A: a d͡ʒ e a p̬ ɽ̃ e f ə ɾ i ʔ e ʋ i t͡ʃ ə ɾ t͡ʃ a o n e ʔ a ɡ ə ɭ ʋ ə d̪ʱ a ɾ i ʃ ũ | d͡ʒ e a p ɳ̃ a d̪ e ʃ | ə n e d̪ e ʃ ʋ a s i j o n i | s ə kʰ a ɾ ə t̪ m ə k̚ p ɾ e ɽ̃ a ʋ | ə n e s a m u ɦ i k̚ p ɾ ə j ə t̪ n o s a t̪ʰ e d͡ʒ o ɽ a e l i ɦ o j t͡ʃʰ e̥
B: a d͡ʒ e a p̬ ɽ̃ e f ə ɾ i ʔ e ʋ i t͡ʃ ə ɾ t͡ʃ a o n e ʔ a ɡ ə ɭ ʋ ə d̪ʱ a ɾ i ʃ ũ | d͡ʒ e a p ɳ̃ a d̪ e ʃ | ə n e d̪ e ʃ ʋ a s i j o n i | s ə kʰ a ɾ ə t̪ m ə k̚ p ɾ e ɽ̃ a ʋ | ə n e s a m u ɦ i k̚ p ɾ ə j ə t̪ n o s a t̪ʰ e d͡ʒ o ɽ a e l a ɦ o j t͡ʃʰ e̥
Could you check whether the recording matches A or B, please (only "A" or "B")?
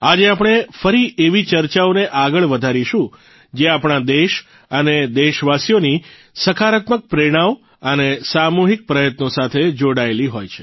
A